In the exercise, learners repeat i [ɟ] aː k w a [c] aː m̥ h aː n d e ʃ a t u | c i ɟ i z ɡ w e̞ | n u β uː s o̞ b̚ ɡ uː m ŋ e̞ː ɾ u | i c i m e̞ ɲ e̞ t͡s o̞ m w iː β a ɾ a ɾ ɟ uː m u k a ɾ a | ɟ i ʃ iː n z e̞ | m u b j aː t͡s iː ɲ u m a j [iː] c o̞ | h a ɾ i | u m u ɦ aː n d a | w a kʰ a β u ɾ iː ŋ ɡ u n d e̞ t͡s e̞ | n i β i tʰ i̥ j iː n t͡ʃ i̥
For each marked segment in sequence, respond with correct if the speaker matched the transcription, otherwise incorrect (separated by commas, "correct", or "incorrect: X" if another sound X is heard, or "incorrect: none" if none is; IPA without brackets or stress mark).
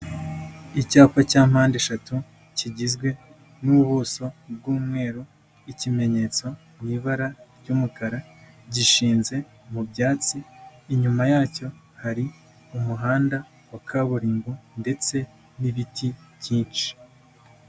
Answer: incorrect: c, correct, incorrect: aː